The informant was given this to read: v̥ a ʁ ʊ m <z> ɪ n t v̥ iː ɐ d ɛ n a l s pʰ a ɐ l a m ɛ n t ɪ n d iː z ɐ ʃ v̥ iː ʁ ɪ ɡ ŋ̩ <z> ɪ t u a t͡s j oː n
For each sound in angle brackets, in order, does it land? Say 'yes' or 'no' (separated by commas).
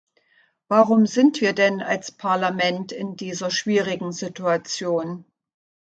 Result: yes, yes